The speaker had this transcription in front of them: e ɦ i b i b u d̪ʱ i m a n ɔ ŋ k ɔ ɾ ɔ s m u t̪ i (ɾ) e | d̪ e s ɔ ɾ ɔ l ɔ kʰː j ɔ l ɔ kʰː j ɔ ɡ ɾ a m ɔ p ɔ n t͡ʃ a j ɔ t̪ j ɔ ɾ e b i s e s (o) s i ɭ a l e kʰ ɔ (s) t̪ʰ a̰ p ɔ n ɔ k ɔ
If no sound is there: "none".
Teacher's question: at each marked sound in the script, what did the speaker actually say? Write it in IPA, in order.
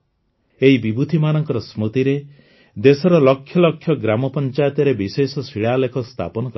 ɾ, ɔ, s

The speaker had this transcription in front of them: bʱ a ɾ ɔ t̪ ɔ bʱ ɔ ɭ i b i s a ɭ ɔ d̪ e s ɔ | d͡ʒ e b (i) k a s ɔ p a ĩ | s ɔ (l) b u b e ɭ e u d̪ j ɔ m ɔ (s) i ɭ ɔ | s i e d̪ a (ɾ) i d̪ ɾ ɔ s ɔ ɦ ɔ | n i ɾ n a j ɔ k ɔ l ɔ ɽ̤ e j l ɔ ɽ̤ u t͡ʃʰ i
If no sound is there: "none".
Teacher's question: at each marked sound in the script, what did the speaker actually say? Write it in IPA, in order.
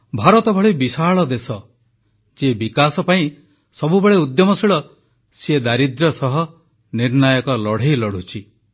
i, none, s, ɾ

